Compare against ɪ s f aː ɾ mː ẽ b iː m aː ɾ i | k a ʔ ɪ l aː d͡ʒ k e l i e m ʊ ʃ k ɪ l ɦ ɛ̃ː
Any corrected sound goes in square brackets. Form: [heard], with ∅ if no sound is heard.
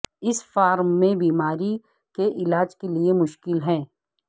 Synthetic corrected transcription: ɪ s f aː ɾ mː ẽ b iː m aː ɾ i | k [e] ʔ ɪ l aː d͡ʒ k e l i e m ʊ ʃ k ɪ l ɦ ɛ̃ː